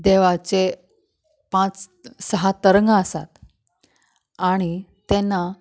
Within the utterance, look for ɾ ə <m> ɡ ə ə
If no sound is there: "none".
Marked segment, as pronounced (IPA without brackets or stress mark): ŋ